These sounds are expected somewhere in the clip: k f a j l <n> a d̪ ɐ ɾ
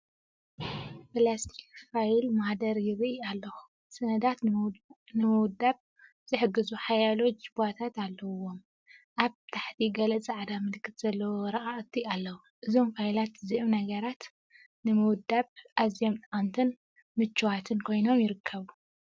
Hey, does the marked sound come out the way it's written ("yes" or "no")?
no